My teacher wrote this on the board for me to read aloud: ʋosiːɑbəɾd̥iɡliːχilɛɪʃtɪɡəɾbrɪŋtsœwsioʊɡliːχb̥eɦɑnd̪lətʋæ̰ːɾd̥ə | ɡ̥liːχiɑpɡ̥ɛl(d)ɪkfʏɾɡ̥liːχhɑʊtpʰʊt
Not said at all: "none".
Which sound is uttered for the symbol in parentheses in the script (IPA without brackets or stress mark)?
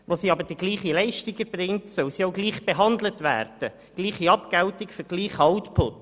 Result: t